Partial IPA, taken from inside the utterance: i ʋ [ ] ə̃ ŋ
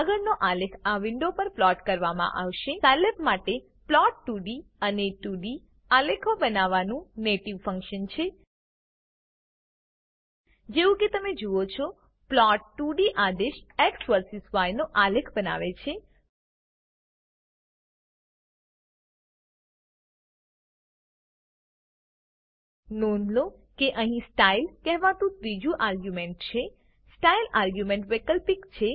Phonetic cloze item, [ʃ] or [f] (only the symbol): f